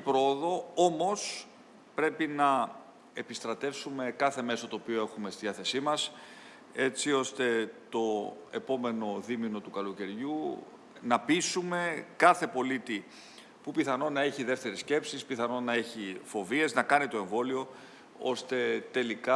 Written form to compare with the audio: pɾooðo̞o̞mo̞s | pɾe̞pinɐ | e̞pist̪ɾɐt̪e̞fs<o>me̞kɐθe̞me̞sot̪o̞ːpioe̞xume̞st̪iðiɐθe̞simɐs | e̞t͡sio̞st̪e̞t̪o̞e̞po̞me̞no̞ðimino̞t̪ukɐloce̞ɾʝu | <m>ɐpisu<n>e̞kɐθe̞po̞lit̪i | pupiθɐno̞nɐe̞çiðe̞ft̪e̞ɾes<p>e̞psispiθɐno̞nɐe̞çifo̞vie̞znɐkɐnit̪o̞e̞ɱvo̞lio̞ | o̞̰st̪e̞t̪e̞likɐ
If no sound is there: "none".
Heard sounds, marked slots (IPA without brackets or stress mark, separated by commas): u, n, m, c